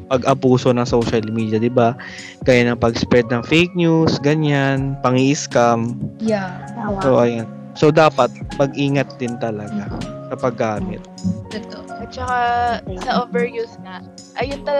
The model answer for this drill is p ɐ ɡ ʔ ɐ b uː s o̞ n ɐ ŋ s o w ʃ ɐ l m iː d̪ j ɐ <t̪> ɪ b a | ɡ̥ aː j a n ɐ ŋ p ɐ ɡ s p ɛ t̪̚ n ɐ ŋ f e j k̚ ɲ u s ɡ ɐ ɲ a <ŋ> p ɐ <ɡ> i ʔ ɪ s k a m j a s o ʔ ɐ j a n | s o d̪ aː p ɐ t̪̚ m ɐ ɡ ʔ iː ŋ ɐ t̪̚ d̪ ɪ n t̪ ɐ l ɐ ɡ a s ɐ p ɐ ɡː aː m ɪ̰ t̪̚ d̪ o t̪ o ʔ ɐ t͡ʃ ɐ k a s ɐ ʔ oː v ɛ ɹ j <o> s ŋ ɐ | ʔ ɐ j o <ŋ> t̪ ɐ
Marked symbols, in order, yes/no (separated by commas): no, no, no, no, no